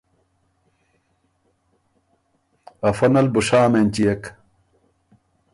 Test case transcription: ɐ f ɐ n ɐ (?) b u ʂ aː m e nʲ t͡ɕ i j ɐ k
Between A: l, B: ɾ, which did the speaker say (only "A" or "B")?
A